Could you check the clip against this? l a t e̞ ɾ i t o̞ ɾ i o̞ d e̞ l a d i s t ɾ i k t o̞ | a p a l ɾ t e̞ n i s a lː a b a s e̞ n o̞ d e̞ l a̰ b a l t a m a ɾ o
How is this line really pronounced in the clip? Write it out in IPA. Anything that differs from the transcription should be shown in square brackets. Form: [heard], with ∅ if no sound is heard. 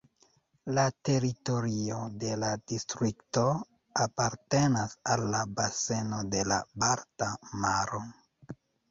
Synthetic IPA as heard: l a t e̞ ɾ i t o̞ ɾ i o̞ d e̞ l a d i s t ɾ i k t o̞ | a p a [∅] ɾ t e̞ n [a] s a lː a b a s e̞ n o̞ d e̞ l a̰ b a [ɾ] t a m a ɾ o